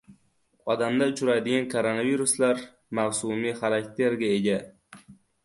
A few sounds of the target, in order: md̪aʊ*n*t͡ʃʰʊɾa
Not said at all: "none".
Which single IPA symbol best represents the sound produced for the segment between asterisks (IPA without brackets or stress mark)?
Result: none